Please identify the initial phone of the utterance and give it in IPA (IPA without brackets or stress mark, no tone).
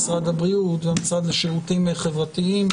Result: s